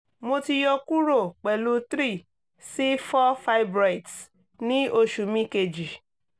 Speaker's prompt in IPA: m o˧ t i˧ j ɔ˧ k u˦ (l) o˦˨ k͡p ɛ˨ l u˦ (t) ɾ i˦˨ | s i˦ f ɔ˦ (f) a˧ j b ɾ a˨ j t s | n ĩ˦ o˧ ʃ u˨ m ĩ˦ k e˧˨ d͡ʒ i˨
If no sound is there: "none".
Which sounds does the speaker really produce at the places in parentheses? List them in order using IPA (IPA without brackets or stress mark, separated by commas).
ɾ, t, f